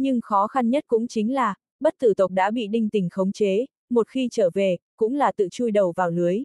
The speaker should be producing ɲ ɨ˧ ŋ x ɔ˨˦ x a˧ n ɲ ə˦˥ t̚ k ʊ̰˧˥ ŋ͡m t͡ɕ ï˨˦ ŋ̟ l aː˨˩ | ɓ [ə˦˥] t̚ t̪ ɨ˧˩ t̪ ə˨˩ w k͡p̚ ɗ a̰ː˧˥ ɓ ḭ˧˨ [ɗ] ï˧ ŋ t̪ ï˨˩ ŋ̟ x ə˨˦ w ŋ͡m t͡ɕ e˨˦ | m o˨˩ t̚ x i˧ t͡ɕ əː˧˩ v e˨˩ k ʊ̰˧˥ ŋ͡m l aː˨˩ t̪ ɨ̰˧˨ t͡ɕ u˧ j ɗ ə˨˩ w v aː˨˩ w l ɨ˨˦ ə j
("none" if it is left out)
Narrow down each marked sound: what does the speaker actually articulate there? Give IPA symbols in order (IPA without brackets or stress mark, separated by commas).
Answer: ə˦˥, ɗ